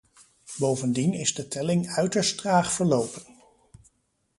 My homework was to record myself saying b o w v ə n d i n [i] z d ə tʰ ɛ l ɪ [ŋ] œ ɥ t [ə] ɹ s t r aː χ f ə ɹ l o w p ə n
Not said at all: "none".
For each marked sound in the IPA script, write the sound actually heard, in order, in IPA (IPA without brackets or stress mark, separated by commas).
ɪ, ŋ, ə